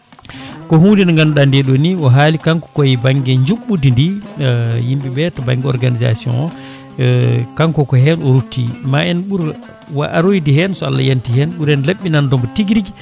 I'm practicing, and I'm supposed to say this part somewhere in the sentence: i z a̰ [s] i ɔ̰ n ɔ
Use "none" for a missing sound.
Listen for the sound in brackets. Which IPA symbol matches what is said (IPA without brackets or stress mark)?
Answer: s